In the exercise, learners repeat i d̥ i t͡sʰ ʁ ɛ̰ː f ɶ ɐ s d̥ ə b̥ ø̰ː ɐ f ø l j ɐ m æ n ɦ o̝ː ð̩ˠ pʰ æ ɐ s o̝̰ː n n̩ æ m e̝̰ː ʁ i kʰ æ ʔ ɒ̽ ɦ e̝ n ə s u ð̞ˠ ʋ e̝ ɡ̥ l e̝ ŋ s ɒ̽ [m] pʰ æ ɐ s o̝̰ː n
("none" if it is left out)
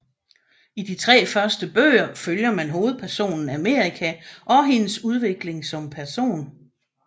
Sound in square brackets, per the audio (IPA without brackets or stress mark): m